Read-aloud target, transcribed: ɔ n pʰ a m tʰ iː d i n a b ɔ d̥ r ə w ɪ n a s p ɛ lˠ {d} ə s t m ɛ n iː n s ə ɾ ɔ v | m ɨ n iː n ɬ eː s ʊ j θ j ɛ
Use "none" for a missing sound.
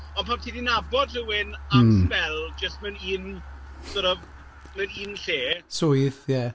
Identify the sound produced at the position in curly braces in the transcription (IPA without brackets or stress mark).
d͡ʒ